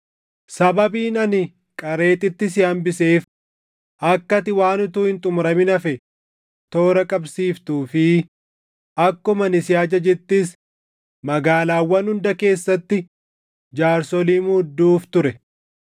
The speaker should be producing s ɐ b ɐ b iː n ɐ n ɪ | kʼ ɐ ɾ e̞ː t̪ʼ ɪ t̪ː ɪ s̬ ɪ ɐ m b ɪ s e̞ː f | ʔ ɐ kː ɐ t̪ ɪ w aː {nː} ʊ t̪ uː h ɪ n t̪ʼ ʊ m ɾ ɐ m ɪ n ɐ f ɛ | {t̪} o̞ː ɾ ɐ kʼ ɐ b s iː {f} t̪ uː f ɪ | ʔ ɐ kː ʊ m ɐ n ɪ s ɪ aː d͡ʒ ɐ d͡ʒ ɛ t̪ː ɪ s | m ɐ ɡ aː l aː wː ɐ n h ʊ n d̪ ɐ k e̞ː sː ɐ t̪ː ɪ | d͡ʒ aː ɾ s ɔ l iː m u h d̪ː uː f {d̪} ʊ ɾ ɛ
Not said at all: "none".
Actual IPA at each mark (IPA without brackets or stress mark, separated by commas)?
n, t̪, f, t̪